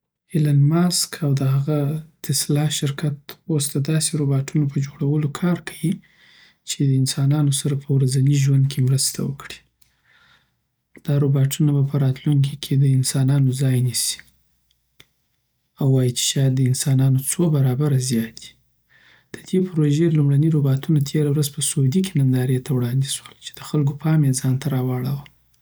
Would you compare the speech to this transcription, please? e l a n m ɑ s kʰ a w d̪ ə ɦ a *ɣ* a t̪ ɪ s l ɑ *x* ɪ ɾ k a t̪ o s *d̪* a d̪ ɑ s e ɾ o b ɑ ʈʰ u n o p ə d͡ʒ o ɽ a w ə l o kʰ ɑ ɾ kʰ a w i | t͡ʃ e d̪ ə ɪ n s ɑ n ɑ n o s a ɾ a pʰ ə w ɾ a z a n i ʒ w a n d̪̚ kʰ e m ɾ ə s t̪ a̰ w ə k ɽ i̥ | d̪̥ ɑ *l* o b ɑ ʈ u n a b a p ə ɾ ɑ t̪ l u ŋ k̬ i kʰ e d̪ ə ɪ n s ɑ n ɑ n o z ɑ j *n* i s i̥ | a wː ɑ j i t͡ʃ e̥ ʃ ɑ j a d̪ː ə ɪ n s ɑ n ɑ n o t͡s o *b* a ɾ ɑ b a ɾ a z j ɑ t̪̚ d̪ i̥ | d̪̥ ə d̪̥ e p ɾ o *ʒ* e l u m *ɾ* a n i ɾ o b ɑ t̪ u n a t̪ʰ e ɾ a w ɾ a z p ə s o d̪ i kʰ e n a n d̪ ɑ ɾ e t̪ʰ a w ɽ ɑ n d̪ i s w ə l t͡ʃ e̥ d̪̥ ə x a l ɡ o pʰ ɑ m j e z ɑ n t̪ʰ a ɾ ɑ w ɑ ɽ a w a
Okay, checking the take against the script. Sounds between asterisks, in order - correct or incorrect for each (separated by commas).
correct, incorrect, incorrect, incorrect, correct, correct, correct, incorrect